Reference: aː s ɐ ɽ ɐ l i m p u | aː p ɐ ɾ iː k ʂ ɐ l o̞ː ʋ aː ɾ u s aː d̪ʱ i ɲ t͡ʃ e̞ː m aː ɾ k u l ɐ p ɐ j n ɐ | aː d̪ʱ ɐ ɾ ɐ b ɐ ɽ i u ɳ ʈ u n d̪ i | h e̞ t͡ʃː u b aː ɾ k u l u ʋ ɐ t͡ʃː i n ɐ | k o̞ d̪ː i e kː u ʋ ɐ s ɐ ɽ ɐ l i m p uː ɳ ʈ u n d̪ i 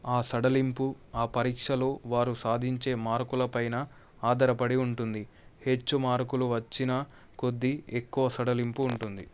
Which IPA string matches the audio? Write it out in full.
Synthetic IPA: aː s ɐ ɽ ɐ l i m p u | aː p ɐ ɾ iː k ʂ ɐ l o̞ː ʋ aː ɾ u s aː d̪ʱ i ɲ t͡ʃ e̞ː m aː ɾ k u l ɐ p ɐ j n ɐ | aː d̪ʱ ɐ ɾ ɐ p ɐ ɽ i u ɳ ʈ u n d̪ i | h e̞ t͡ʃː u m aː ɾ k u l u ʋ ɐ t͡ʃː i n ɐ | k o̞ d̪ː i e kː u ʋ ɐ s ɐ ɽ ɐ l i m p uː ɳ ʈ u n d̪ i